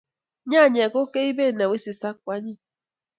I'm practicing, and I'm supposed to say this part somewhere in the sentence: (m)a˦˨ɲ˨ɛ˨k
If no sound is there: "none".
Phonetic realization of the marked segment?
ɲ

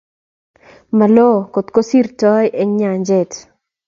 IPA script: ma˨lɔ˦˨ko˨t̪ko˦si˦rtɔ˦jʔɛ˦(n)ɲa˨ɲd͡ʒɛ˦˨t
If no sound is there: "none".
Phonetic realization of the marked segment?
ŋ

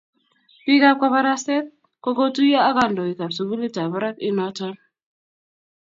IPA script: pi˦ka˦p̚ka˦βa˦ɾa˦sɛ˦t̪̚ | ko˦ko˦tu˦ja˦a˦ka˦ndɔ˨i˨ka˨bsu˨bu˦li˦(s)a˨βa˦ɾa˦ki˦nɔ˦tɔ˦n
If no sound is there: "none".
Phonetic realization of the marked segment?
t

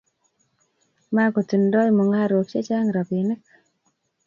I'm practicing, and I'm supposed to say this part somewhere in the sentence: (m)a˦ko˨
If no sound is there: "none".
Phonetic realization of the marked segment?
m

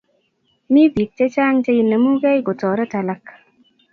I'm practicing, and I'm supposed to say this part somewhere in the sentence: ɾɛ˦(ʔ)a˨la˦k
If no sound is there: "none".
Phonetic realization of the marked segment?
t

